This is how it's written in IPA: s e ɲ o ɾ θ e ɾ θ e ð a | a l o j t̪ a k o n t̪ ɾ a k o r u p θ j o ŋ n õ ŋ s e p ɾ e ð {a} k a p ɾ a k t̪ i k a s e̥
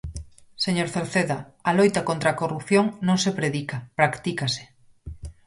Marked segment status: incorrect: i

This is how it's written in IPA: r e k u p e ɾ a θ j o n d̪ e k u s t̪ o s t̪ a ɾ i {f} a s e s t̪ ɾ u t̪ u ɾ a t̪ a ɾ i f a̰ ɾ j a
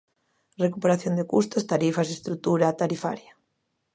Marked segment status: correct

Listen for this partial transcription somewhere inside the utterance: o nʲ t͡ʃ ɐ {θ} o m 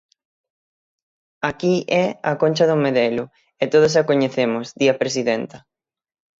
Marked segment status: incorrect: ð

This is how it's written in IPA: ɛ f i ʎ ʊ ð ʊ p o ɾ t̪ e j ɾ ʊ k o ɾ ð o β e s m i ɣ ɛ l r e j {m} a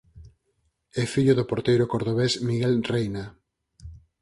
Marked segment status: incorrect: n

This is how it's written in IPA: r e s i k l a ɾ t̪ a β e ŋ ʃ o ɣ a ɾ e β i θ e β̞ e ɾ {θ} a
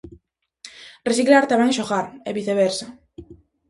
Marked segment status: incorrect: s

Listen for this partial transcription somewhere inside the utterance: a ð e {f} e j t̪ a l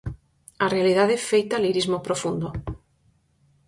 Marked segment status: correct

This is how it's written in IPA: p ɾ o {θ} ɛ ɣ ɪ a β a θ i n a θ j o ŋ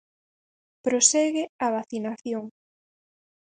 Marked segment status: incorrect: s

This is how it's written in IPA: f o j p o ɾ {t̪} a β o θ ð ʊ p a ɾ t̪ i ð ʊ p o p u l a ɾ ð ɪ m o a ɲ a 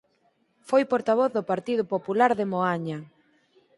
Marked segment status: correct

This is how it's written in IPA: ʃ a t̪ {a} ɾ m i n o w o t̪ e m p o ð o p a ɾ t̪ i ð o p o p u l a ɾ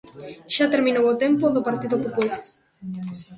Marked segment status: incorrect: e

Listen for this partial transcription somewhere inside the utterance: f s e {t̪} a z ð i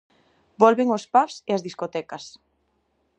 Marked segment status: incorrect: none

